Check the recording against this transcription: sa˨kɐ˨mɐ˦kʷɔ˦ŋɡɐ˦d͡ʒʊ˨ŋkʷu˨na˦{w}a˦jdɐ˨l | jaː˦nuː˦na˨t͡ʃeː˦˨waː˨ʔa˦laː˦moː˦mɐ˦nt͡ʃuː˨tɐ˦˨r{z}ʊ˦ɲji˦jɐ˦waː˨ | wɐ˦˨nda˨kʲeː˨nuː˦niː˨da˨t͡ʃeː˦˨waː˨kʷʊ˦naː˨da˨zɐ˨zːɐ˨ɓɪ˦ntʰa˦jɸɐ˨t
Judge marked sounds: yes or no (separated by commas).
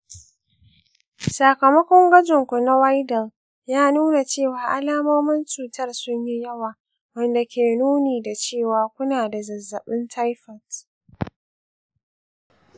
yes, no